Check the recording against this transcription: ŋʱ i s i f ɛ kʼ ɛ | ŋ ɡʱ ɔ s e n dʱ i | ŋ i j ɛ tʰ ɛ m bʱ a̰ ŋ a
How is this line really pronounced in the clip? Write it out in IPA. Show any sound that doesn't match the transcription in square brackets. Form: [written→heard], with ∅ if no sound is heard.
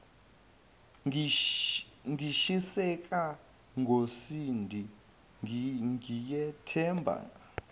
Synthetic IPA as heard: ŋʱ i [s→ʃ] i [f→s] ɛ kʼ [ɛ→a] | ŋ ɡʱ [ɔ→o] s [e→i] n dʱ i | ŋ i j ɛ tʰ ɛ m bʱ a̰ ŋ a